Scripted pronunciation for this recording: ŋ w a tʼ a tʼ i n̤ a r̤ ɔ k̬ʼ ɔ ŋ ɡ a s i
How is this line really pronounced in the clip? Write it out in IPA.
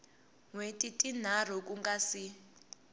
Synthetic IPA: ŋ w e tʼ i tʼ i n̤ a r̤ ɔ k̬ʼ u ŋ ɡ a s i